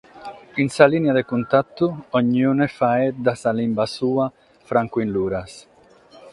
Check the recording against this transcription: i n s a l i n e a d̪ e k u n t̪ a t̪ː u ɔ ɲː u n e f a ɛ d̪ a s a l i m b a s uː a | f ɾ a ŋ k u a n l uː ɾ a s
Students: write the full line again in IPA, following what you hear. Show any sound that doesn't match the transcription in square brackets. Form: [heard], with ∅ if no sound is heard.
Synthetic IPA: i n s a l i n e a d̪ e k u n t̪ a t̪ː u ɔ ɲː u n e f a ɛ d̪ a s a l i m b a s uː a | f ɾ a ŋ k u [i] n l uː ɾ a s